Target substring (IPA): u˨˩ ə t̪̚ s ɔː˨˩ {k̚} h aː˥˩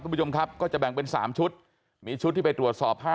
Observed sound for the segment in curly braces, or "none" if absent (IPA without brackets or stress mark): p̚